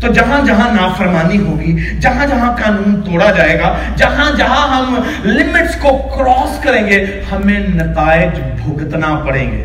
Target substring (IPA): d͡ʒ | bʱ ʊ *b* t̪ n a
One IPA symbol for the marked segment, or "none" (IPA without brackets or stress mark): ɡ